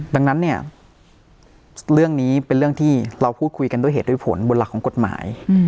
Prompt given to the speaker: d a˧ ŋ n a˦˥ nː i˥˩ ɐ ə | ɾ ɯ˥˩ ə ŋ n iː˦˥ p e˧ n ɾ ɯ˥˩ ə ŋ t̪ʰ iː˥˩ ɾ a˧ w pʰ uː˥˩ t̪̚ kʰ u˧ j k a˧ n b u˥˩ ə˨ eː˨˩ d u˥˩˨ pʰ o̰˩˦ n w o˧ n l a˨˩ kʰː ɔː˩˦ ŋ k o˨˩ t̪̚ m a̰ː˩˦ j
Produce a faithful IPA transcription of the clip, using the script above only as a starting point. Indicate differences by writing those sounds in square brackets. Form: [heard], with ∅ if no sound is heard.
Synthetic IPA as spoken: d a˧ ŋ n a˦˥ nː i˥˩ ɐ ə | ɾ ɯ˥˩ ə ŋ n iː˦˥ p e˧ n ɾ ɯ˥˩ ə ŋ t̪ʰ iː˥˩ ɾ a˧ w pʰ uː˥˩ t̪̚ kʰ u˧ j k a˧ n [d] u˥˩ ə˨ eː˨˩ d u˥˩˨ pʰ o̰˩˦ n [b] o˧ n l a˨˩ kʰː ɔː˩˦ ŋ k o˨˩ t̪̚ m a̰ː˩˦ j

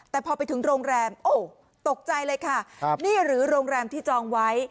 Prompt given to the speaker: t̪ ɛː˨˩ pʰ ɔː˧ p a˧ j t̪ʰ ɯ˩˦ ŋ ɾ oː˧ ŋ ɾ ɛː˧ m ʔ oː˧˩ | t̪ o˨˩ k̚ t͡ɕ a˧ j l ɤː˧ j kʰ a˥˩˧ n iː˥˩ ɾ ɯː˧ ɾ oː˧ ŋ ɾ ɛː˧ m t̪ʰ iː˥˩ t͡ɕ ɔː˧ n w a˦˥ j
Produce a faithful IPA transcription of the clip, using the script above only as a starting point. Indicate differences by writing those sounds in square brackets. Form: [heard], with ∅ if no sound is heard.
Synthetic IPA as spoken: t̪ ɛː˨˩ pʰ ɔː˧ p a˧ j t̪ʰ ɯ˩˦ ŋ ɾ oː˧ ŋ ɾ ɛː˧ m ʔ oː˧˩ | t̪ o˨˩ k̚ t͡ɕ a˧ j l ɤː˧ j kʰ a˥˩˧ n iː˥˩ ɾ [ɯː˩˦] ɾ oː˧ ŋ ɾ ɛː˧ m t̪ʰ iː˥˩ t͡ɕ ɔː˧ [ŋ] w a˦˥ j

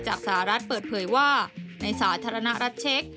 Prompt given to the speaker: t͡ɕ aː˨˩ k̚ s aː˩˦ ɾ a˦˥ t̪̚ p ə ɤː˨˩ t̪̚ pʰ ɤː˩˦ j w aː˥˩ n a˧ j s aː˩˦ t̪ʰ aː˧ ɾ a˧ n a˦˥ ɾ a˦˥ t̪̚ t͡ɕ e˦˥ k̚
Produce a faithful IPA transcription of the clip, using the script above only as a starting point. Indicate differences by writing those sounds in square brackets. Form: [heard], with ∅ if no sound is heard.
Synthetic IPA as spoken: t͡ɕ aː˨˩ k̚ s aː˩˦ ɾ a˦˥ t̪̚ p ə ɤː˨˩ t̪̚ pʰ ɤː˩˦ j w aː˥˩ n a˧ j s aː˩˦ t̪ʰ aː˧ ɾ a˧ n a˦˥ ɾ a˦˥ t̪̚ [t͡ɕʰ] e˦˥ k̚

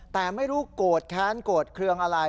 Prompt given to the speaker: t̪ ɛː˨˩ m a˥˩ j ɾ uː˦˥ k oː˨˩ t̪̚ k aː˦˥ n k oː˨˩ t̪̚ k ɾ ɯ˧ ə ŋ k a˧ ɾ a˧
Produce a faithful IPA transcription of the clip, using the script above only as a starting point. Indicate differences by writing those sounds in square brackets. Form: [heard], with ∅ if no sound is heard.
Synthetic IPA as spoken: t̪ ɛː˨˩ m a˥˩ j ɾ uː˦˥ k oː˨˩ t̪̚ [kʰ] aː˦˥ n k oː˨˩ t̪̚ [kʰ] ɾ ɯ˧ ə ŋ [ʔ] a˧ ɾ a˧

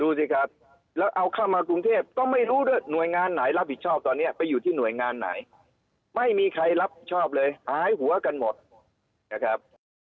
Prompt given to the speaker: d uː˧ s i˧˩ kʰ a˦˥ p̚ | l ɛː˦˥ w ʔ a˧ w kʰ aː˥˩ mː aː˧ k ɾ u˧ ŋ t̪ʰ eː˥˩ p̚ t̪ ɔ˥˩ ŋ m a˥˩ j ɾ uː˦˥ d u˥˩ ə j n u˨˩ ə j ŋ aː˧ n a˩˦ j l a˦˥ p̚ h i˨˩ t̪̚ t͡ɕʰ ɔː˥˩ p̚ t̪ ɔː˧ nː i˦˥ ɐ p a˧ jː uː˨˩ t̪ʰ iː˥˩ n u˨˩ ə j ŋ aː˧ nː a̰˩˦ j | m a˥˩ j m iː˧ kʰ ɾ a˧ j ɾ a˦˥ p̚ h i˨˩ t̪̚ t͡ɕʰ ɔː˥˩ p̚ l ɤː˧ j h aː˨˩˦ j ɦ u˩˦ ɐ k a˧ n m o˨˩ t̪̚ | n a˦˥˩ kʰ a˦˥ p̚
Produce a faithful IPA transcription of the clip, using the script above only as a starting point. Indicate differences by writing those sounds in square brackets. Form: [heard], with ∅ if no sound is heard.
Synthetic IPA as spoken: d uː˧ s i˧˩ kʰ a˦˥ p̚ | l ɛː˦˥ w ʔ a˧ w kʰ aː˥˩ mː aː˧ k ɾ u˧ ŋ t̪ʰ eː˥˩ p̚ t̪ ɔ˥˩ ŋ m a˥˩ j ɾ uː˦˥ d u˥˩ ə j n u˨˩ ə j ŋ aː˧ [nː] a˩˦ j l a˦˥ p̚ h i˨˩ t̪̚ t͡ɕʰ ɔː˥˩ p̚ t̪ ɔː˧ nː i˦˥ ɐ p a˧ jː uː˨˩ t̪ʰ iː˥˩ n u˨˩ ə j ŋ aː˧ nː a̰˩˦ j | m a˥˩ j m iː˧ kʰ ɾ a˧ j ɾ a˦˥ p̚ h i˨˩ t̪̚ t͡ɕʰ ɔː˥˩ p̚ l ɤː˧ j h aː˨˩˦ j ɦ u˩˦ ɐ k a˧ n m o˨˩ t̪̚ | n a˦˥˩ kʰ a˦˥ p̚

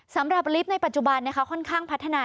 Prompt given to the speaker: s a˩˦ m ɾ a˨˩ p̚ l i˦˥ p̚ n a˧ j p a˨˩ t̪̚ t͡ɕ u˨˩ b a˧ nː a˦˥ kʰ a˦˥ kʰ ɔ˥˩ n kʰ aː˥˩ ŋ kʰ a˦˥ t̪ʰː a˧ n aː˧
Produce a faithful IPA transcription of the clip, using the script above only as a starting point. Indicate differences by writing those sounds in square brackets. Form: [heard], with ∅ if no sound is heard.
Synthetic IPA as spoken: s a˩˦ m ɾ a˨˩ p̚ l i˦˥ p̚ n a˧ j p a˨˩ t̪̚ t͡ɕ u˨˩ b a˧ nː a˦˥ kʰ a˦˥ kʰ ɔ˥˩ n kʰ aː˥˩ ŋ [pʰ] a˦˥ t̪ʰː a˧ n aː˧

